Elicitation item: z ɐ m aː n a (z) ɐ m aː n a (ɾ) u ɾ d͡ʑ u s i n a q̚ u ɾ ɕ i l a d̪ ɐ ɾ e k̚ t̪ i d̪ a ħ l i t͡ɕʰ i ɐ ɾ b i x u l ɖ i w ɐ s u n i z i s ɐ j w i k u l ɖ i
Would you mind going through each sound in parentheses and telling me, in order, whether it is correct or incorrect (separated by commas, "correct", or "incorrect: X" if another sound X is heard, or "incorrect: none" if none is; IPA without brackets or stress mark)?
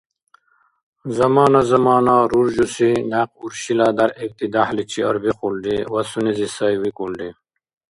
correct, correct